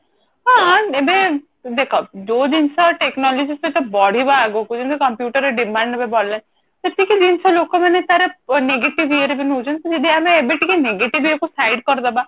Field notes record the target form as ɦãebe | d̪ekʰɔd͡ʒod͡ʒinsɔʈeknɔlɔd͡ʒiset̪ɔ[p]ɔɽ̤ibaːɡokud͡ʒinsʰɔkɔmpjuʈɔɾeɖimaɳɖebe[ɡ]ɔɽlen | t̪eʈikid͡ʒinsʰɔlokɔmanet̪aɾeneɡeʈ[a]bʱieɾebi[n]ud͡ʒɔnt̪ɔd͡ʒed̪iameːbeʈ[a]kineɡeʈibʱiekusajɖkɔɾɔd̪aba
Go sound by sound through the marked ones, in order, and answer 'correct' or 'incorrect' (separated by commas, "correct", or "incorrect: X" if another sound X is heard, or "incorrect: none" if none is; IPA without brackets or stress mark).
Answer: incorrect: b, incorrect: b, incorrect: i, correct, incorrect: i